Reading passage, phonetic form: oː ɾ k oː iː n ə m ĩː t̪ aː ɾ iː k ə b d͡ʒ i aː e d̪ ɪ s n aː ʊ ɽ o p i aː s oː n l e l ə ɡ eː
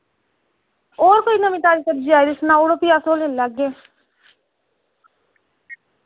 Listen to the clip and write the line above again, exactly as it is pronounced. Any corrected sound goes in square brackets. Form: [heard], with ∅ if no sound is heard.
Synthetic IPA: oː ɾ k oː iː n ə m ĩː t̪ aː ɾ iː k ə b d͡ʒ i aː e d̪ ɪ s n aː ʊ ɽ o p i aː s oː [∅] l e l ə ɡ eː